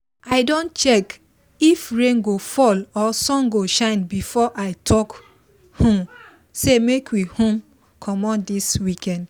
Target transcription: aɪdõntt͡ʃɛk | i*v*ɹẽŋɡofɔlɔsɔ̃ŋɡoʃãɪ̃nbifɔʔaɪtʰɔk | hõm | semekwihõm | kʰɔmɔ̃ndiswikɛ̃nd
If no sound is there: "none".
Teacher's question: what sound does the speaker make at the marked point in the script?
f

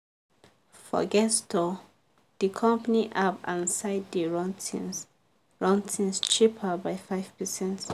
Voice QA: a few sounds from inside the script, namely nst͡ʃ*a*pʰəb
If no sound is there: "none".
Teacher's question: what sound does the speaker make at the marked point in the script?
i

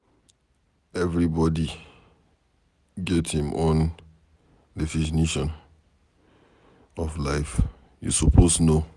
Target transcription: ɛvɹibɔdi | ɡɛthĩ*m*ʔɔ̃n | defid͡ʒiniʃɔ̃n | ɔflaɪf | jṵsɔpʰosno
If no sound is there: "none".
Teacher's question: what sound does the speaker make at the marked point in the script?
m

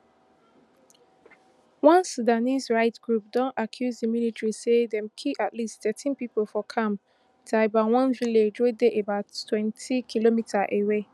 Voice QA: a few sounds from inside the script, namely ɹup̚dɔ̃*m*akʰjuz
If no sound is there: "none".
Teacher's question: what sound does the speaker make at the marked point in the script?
n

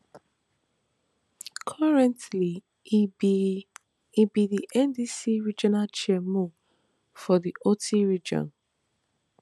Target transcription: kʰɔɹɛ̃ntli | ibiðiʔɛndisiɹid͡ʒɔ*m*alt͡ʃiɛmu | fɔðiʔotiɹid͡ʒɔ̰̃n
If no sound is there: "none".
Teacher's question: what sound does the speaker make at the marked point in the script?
n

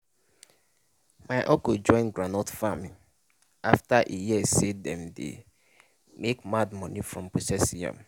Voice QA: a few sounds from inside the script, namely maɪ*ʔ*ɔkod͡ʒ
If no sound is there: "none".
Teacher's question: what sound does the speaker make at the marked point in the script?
ʔ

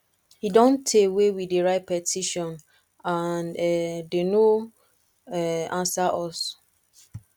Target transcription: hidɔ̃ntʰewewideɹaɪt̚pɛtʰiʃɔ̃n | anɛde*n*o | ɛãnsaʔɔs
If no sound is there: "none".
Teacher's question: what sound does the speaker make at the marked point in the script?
n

